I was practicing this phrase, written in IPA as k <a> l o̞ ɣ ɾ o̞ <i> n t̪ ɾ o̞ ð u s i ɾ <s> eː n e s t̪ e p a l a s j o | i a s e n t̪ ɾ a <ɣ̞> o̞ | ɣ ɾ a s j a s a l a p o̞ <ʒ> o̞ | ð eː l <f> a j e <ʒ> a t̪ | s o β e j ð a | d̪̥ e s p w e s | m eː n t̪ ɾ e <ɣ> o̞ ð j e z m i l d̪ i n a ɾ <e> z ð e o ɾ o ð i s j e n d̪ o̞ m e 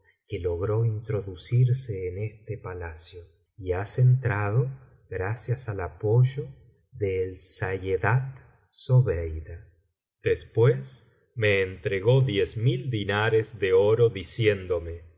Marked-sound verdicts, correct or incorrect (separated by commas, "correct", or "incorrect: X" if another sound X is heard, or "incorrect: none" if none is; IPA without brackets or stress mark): incorrect: e, correct, correct, incorrect: ð̞, correct, incorrect: s, incorrect: ð, correct, correct